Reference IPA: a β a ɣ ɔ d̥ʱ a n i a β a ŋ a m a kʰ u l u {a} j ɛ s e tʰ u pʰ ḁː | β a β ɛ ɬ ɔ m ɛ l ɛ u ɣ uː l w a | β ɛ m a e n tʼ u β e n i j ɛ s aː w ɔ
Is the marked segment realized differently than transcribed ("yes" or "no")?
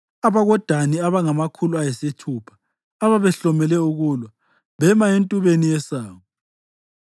no